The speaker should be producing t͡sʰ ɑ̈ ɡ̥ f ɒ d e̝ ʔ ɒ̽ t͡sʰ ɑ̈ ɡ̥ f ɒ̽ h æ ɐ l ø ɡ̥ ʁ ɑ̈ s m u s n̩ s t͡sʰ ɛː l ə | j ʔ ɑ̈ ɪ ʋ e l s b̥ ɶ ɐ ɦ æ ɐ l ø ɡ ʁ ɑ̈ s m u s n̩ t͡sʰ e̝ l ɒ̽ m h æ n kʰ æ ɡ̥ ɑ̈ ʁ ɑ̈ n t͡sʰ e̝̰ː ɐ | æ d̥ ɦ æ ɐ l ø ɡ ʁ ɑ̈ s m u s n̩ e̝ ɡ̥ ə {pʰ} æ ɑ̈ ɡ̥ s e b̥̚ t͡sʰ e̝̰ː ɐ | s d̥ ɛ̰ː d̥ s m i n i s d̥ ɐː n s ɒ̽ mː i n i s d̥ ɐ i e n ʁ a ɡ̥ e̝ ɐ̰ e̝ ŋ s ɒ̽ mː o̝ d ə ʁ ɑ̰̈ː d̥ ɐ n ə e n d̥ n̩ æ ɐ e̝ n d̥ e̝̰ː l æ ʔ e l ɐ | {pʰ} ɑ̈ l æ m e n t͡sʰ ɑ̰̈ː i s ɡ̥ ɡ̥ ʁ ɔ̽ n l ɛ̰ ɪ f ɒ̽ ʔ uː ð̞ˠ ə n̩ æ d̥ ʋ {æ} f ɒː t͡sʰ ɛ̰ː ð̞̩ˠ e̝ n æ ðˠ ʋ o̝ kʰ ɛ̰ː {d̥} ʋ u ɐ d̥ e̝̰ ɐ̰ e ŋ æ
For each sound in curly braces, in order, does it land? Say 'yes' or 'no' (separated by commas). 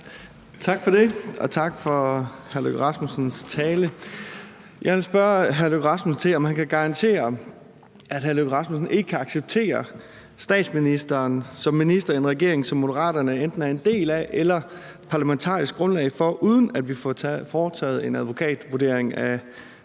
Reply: no, yes, no, yes